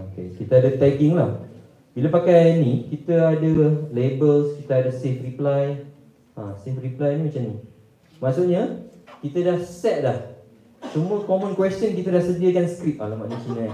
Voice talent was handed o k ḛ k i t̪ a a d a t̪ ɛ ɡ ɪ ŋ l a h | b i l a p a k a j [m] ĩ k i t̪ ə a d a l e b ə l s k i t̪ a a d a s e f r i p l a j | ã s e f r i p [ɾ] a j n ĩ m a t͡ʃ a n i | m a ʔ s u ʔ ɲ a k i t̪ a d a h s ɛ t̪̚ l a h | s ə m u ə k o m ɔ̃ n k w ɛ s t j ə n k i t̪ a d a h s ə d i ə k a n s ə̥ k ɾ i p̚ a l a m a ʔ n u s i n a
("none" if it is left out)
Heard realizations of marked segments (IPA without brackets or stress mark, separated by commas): n, l